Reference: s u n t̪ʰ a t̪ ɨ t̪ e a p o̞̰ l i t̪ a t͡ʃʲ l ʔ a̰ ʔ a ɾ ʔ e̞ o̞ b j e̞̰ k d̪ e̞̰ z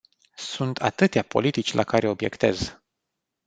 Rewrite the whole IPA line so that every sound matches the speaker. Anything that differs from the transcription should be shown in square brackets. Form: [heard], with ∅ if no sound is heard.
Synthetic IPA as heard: s u n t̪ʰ a t̪ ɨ t̪ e a p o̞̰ l i t̪ [i] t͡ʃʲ l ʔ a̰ [k] a ɾ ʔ e̞ o̞ b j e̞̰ k [t̪] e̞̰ z